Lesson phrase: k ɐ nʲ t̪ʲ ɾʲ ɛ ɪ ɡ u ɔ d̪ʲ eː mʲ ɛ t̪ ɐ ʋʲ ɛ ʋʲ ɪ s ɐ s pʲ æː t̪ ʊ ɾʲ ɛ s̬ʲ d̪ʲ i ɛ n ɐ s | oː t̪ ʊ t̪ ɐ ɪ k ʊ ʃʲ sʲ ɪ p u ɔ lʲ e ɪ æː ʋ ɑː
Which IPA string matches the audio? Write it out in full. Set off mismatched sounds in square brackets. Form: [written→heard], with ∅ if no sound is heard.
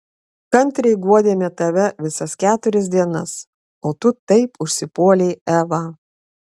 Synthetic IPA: k ɐ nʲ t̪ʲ ɾʲ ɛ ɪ ɡ u ɔ d̪ʲ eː mʲ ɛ t̪ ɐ ʋʲ ɛ ʋʲ ɪ s ɐ s [pʲ→kʲ] æː t̪ ʊ ɾʲ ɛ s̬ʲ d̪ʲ i ɛ n ɐ s | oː t̪ ʊ t̪ ɐ ɪ [k→p] ʊ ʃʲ sʲ ɪ p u ɔ lʲ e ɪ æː ʋ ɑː